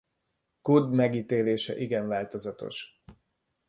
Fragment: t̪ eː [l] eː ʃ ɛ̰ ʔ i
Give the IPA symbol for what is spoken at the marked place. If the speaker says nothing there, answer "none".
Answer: l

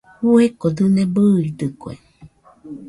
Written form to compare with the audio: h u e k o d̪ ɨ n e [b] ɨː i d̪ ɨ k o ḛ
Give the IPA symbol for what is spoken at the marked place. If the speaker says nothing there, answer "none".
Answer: b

